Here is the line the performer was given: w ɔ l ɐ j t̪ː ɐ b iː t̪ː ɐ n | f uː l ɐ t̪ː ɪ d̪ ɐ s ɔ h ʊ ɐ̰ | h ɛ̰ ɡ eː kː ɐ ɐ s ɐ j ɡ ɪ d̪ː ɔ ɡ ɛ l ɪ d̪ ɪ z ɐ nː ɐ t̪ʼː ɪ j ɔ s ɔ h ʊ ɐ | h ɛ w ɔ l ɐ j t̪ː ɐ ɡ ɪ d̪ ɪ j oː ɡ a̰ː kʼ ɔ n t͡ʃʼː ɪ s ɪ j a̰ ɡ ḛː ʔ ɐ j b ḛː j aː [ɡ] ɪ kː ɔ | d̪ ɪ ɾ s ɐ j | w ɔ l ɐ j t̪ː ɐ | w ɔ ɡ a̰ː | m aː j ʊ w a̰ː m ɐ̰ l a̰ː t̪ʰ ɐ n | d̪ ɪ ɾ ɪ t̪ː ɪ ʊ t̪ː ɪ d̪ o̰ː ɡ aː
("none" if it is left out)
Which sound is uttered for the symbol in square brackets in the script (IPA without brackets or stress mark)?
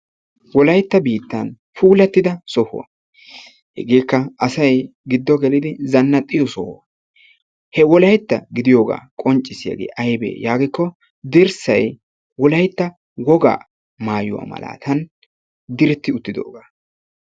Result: ɡ